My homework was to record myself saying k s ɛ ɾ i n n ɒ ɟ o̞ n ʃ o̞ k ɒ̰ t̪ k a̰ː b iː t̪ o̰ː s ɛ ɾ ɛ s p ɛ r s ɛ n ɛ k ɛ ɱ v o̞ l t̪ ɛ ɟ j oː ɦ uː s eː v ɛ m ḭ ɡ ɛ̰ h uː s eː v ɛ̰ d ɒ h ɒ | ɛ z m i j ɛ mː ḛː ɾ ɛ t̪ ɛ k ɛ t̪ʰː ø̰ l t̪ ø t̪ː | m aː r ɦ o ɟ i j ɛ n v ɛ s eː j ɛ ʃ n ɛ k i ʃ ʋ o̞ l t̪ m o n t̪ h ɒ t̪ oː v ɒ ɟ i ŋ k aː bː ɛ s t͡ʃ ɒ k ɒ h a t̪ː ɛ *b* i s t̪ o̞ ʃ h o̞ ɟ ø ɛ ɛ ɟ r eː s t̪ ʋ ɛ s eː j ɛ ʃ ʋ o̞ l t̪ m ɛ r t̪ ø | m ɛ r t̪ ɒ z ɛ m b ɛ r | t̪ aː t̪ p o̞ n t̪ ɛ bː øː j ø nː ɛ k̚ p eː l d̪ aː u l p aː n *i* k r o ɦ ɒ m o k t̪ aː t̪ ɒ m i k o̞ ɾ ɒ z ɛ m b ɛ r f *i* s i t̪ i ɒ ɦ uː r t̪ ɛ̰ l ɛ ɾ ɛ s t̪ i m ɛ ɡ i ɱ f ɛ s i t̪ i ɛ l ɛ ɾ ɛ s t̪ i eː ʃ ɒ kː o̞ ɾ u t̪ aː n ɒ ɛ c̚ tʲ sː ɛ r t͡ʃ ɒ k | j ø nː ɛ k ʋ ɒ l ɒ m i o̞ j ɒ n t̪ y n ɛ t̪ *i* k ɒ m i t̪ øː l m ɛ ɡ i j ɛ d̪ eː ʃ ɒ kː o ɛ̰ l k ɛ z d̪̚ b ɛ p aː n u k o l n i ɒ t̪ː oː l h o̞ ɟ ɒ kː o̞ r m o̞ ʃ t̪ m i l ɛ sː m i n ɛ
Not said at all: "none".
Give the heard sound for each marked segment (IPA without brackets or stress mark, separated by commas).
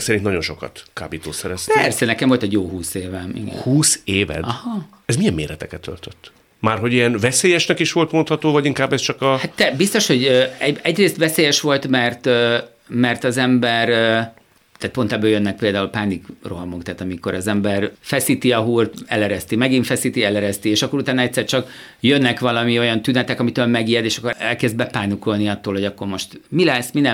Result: b, i, ɛ, ɛ